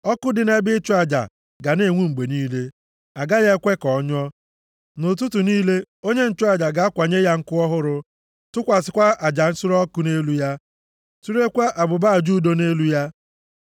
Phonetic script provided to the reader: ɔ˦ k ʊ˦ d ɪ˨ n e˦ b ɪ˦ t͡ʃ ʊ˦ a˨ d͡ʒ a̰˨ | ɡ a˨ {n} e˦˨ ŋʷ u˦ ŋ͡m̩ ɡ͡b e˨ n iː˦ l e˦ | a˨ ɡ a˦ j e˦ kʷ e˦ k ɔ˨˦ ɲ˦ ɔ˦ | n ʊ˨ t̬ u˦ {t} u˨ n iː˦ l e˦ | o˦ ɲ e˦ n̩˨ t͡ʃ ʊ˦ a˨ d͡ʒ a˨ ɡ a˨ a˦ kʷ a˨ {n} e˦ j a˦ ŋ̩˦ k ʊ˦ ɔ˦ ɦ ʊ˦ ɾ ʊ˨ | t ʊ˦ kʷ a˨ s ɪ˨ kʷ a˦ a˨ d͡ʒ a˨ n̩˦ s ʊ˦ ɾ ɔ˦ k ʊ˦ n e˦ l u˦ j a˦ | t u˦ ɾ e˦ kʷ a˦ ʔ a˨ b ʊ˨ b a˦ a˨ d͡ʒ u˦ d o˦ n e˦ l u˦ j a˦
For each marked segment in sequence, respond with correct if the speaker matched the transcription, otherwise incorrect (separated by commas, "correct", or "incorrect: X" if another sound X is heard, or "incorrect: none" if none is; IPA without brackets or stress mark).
correct, correct, incorrect: ɲ